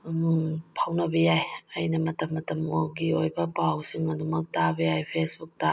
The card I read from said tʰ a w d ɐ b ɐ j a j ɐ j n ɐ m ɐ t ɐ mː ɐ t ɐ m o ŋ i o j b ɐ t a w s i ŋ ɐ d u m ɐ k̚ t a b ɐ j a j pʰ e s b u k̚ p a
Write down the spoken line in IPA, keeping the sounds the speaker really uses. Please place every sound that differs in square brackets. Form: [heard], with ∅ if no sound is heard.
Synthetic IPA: [pʰ] a w [n] ɐ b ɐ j a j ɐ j n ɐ m ɐ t ɐ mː ɐ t ɐ m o [ɡ] i o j b ɐ [p] a w s i ŋ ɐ d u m ɐ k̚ t a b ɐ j a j pʰ e s b u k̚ [t] a